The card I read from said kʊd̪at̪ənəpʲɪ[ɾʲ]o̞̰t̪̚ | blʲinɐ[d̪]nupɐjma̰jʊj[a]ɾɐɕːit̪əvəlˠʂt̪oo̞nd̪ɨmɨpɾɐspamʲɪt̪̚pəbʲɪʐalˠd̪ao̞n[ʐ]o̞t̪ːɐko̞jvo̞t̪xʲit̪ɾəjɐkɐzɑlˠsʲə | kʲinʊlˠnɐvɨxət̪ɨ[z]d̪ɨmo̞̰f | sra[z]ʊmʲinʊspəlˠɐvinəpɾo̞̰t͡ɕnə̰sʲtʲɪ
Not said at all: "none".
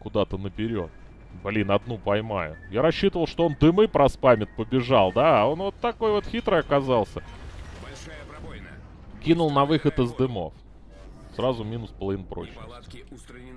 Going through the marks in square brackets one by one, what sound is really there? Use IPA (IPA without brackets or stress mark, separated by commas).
ɾʲ, d̪, a, v, z, z